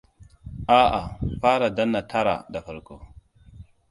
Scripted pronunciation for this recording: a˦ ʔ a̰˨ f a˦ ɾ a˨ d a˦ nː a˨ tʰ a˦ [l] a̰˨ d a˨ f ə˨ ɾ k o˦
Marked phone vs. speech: incorrect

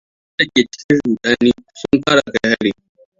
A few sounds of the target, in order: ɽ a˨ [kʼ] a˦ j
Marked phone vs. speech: incorrect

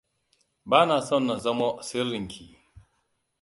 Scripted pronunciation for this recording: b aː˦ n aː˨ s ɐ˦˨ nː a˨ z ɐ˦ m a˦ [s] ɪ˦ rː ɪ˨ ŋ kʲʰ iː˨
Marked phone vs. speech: correct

